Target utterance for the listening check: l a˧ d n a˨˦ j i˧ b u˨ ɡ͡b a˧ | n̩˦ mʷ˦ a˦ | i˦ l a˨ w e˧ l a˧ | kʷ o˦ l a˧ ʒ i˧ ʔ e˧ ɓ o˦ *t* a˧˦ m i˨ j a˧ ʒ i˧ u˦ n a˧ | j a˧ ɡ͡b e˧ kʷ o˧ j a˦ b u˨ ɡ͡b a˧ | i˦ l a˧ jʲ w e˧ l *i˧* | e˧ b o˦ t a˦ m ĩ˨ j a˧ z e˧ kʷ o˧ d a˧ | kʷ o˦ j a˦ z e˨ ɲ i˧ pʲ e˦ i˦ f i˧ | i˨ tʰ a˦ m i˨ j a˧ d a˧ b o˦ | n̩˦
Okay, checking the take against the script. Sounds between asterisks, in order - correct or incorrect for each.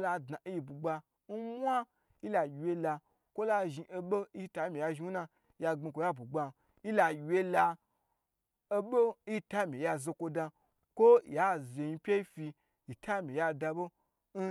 correct, incorrect

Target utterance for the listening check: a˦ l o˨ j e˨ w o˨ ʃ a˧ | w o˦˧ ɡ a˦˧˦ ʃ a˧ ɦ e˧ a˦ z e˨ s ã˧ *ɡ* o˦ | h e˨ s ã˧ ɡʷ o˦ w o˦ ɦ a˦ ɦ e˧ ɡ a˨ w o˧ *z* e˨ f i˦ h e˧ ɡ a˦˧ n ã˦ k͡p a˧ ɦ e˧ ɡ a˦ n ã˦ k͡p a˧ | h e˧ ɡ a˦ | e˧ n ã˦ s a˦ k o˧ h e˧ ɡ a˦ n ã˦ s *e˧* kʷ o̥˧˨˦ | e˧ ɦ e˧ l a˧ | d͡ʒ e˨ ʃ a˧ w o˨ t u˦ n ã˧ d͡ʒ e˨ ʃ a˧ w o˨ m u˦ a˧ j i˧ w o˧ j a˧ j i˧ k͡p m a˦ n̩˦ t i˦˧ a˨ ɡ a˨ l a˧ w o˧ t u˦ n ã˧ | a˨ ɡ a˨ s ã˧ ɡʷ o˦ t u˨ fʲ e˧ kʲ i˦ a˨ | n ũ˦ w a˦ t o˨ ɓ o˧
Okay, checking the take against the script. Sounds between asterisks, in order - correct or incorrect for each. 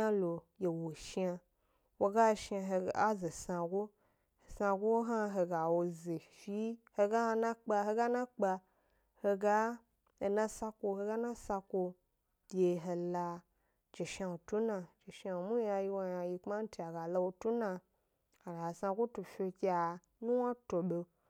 correct, correct, incorrect

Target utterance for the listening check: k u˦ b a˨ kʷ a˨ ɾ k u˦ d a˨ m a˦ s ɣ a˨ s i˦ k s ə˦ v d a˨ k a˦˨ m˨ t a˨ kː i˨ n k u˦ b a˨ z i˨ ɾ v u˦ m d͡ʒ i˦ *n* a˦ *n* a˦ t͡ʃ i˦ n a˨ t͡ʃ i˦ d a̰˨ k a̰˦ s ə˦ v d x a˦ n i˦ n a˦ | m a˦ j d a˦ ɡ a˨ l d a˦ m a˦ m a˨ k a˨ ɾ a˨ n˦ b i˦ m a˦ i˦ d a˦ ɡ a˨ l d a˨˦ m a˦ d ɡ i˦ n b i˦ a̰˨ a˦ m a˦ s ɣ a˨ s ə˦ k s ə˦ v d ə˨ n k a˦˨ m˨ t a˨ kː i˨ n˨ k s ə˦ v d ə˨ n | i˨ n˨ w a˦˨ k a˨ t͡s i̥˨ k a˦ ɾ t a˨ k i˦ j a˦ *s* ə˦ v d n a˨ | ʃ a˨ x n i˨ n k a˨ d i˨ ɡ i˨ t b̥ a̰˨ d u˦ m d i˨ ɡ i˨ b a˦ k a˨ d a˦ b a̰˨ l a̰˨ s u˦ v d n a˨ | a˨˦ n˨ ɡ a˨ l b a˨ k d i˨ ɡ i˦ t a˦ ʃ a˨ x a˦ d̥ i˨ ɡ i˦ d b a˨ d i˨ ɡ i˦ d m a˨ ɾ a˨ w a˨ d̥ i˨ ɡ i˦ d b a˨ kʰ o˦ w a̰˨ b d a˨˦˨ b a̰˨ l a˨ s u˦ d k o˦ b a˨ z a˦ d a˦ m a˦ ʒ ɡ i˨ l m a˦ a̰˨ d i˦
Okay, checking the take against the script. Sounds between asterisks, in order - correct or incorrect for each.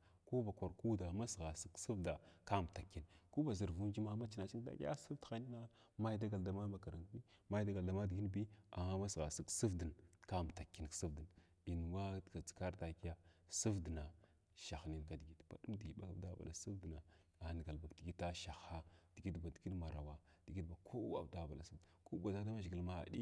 incorrect, incorrect, correct

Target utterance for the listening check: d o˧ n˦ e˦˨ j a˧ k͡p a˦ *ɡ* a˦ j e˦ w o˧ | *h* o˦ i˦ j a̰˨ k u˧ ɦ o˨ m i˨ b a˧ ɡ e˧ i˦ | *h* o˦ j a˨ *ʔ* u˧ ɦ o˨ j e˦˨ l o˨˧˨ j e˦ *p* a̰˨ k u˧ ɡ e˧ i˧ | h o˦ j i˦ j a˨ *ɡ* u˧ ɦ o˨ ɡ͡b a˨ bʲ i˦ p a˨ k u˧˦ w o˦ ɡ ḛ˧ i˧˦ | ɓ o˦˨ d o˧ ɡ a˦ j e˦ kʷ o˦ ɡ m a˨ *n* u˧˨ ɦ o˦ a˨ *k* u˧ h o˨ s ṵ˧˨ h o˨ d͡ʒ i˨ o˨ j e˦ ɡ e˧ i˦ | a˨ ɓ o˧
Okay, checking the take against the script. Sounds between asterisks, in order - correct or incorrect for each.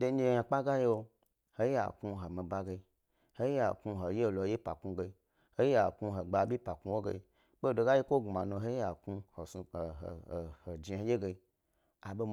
correct, correct, correct, incorrect, correct, incorrect, correct, correct

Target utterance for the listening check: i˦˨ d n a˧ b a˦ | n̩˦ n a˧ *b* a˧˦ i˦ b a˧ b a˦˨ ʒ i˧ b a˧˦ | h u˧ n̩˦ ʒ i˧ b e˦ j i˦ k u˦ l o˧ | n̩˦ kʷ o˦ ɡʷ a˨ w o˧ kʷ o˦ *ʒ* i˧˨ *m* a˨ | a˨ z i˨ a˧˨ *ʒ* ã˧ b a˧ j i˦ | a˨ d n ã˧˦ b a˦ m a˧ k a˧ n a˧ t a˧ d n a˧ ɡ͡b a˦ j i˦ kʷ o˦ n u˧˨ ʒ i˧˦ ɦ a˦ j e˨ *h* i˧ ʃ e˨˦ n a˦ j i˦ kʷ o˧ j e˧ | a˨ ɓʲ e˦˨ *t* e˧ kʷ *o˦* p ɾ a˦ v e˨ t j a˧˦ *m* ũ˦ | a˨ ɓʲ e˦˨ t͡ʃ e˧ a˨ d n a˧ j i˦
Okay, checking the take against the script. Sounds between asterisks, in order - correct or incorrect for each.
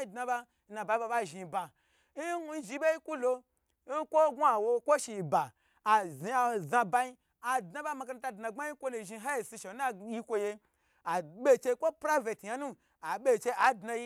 correct, incorrect, incorrect, incorrect, incorrect, incorrect, correct, incorrect

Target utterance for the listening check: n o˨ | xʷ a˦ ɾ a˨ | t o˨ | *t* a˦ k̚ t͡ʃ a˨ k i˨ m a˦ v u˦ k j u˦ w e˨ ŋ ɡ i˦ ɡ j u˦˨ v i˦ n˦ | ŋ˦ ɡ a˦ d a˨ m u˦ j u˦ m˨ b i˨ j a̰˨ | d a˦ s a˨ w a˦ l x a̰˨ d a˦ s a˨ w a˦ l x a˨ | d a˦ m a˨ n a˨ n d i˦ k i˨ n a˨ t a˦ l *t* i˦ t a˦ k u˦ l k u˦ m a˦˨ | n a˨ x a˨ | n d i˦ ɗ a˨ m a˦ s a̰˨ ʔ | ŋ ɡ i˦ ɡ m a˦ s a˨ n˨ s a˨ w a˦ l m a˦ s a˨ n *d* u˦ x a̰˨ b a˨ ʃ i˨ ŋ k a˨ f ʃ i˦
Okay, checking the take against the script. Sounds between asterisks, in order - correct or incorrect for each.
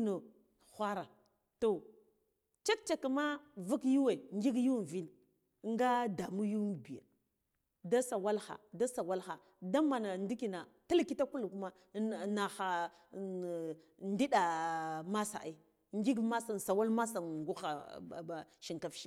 incorrect, incorrect, incorrect

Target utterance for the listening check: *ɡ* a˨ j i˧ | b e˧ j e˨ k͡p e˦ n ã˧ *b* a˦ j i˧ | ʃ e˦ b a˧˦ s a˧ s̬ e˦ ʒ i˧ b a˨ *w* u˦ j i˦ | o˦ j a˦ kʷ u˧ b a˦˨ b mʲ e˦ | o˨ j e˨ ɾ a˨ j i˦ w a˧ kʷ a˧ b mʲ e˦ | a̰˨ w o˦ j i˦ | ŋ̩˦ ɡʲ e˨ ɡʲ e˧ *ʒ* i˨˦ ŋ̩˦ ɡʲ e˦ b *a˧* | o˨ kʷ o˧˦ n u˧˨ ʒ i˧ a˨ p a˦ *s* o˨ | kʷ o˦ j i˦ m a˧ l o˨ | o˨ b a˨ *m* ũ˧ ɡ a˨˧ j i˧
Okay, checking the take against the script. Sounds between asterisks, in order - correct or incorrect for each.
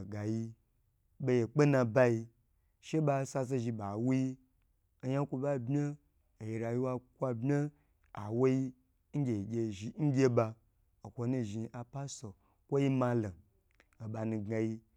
correct, correct, correct, correct, correct, correct, incorrect

